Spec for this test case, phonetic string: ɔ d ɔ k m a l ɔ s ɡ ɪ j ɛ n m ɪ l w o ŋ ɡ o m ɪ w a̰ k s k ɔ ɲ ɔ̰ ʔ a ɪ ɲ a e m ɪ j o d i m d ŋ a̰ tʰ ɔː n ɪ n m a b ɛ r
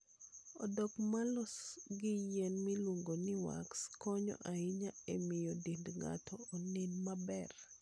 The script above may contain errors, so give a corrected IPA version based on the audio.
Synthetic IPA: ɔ d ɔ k m a l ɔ s ɡ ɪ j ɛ n m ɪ l w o ŋ ɡ o n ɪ w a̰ k s k ɔ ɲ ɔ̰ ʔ a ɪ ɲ a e m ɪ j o d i n d ŋ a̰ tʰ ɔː n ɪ n m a b ɛ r

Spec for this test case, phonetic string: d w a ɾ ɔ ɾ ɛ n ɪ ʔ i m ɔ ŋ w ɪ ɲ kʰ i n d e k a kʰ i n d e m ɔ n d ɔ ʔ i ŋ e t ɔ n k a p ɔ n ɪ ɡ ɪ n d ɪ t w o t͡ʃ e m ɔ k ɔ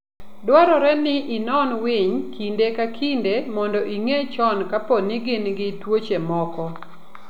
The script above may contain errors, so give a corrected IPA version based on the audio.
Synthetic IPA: d w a ɾ ɔ ɾ ɛ n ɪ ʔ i n ɔ n w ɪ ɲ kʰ i n d e k a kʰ i n d e m ɔ n d ɔ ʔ i ŋ e t͡ʃ ɔ n k a p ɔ n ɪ ɡ ɪ n ɡ ɪ t w o t͡ʃ e m ɔ k ɔ

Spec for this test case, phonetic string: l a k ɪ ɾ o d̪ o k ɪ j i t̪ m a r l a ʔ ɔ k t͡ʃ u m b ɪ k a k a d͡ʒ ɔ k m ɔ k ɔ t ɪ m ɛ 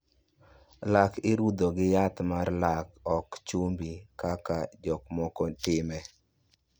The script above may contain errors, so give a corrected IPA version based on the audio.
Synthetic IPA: l a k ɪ ɾ u d̪ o ɡ ɪ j a t̪ m a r l a k ɔ k t͡ʃ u m b i k a k a d͡ʒ ɔ k m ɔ k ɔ t ɪ m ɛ

